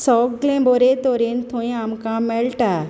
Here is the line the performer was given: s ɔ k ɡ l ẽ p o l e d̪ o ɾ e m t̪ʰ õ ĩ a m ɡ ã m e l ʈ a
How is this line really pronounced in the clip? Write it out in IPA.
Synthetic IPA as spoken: s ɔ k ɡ l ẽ b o ɾ e t̪ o ɾ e n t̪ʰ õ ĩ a m k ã m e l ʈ a